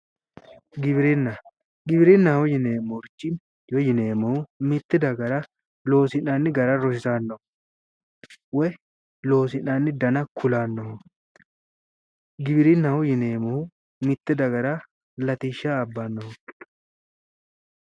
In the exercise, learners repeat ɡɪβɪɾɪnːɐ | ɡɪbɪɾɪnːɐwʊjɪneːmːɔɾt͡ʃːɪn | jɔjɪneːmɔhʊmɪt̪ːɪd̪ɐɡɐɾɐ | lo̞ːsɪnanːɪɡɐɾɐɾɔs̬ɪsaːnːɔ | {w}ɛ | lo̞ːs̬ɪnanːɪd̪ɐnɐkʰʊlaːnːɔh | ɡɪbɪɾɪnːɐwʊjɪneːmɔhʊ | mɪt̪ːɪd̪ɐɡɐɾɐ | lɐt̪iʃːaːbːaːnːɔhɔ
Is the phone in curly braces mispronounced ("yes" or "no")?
no